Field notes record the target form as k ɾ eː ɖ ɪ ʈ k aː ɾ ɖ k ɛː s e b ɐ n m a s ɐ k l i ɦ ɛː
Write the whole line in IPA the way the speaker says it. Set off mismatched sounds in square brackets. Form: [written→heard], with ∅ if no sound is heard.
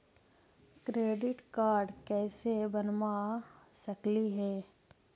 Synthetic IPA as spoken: k ɾ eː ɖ ɪ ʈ k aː ɾ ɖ k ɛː s e b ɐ n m a s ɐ k l i ɦ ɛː